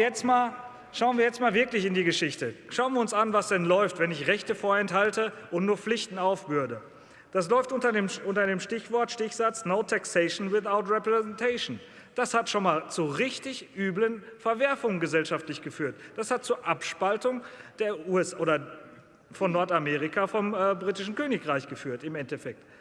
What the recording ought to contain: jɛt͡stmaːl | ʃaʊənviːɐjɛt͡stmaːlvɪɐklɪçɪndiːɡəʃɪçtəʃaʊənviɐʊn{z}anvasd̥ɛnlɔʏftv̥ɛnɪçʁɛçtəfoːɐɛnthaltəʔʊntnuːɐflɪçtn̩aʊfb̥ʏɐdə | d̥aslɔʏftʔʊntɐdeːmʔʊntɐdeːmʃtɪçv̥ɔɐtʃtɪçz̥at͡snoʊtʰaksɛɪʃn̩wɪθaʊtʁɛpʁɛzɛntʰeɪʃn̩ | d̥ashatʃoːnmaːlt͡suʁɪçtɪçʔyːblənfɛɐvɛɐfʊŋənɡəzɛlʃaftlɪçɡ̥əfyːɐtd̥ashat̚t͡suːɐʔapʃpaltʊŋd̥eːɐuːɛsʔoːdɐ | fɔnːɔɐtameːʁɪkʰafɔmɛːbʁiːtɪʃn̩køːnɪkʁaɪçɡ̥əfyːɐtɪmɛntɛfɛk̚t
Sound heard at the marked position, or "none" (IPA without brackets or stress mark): s